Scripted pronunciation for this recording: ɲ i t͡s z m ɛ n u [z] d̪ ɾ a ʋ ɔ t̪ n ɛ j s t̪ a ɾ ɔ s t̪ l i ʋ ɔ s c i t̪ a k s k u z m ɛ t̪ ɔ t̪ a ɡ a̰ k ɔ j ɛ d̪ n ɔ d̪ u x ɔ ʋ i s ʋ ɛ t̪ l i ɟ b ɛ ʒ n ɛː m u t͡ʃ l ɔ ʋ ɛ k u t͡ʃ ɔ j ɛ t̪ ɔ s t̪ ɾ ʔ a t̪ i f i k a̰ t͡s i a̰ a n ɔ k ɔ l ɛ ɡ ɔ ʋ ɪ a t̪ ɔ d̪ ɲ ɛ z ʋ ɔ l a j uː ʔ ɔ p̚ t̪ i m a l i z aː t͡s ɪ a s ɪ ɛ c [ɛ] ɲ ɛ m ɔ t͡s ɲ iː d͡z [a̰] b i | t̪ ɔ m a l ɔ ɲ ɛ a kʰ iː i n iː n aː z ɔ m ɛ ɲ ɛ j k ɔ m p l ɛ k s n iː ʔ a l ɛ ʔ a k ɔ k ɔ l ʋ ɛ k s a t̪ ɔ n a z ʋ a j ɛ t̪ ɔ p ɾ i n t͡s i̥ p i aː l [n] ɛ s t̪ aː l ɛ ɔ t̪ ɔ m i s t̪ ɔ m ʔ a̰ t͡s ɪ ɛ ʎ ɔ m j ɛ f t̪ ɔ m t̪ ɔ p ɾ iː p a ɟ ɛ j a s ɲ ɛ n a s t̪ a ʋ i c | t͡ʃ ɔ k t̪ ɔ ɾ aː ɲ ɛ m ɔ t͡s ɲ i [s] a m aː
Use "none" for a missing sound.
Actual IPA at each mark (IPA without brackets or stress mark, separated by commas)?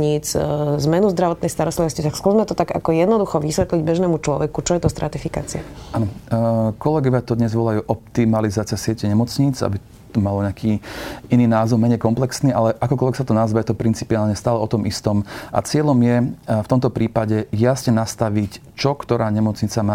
z, ɛ, a̰, ɲ, t͡s